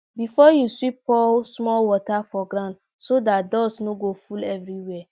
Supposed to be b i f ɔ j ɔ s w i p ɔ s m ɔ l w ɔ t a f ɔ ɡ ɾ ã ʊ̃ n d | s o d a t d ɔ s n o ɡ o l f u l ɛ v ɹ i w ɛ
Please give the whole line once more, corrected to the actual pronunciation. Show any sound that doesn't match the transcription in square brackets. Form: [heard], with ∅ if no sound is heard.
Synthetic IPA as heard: b i f ɔ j [u] s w i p ɔ s m ɔ l w ɔ t a f ɔ ɡ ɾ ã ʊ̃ n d | s o d a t d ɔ s n o ɡ o [∅] f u l ɛ v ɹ i w ɛ